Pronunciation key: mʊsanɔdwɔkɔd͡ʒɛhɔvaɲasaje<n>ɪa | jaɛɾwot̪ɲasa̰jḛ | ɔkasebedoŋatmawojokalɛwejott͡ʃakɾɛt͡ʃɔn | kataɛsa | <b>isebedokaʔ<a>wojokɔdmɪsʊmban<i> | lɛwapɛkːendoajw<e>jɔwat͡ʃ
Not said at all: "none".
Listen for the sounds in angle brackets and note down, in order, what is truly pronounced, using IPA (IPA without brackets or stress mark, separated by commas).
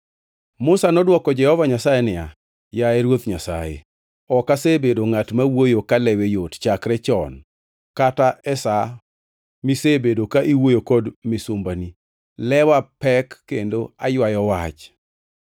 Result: n, m, i, i, a